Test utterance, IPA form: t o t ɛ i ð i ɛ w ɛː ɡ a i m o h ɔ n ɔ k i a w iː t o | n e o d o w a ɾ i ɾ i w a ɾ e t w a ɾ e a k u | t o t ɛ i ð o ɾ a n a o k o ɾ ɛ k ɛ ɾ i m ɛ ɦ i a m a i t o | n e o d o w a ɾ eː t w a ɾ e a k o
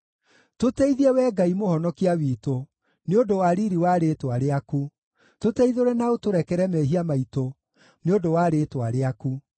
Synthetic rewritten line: t o t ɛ i ð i ɛ w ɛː ɡ a i m o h ɔ n ɔ k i a w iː t o | n e o d o w a ɾ i ɾ i w a ɾ e t w a ɾ e a k u | t o t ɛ i ð o ɾ ɛ n a o t o ɾ ɛ k ɛ ɾ ɛ m ɛ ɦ i a m a i t o | n e o d o w a ɾ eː t w a ɾ e a k u